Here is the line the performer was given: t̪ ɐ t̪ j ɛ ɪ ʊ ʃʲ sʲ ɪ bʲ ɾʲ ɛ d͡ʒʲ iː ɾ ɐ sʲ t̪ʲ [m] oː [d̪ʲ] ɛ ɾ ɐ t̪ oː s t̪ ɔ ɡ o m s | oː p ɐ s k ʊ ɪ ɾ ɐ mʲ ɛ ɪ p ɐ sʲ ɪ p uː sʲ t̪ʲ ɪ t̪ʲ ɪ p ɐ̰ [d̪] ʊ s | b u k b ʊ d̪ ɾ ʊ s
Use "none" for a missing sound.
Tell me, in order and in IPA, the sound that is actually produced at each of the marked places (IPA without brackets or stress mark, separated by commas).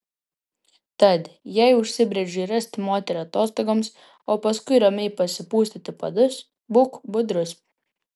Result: m, t̪ʲ, d̪